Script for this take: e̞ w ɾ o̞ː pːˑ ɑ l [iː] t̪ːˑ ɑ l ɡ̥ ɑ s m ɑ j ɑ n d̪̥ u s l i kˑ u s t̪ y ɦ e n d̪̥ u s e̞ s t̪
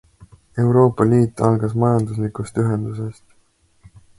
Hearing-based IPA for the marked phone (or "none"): iː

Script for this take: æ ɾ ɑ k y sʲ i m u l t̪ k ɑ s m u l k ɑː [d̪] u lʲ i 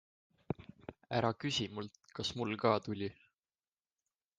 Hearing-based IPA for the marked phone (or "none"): t̪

